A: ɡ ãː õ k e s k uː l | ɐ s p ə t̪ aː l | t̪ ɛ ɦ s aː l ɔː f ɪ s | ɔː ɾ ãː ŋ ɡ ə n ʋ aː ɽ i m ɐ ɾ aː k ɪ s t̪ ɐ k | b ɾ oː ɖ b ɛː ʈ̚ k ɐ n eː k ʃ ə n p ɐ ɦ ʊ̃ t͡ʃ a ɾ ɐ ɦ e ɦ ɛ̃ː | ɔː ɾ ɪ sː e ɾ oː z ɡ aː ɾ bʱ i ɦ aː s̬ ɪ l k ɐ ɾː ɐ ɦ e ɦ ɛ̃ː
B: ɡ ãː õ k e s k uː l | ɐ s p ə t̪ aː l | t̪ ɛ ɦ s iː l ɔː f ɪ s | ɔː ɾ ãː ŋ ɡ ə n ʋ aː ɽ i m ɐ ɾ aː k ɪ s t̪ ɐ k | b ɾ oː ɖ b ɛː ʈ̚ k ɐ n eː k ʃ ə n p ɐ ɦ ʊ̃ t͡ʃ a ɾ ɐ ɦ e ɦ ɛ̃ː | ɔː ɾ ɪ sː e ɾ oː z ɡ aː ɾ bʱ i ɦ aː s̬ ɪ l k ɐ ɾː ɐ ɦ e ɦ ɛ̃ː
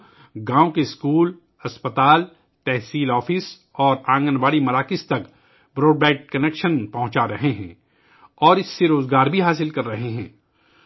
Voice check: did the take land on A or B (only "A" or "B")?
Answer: B